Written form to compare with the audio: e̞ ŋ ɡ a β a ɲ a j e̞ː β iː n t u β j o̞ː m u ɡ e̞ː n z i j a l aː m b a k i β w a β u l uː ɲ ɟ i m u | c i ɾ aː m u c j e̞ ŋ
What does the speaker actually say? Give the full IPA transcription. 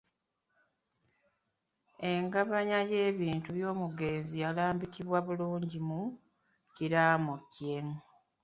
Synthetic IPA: e̞ ŋ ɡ a β a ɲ a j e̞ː β iː n t u β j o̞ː m u ɡ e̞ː n z i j a l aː m b i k i β w a β u l uː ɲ ɟ i m u | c i ɾ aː m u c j e̞ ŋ